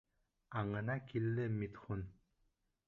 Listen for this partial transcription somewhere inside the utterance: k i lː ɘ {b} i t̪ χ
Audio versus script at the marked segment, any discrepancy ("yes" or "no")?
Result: yes